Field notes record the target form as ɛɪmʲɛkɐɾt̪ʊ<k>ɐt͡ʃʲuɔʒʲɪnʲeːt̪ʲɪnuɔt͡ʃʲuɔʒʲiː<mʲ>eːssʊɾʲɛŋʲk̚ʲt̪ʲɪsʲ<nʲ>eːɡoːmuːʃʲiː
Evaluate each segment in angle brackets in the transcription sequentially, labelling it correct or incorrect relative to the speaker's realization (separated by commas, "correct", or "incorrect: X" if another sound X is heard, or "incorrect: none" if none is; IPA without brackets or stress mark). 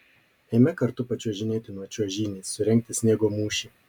incorrect: p, incorrect: nʲ, correct